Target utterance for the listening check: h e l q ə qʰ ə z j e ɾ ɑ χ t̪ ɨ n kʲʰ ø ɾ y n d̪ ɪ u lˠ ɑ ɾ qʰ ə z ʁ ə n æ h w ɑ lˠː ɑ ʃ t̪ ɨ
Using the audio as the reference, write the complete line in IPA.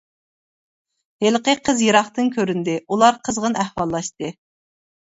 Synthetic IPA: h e l q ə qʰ ə z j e ɾ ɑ χ t̪ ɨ n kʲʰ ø ɾ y n d̪ ɪ u lˠ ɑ ɾ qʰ ə z ʁ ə n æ h w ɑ lˠː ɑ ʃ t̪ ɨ